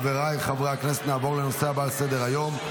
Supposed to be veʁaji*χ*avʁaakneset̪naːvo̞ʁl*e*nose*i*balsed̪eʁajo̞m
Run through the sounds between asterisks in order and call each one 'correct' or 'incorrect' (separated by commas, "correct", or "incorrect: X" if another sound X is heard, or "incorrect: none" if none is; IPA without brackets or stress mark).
correct, correct, incorrect: a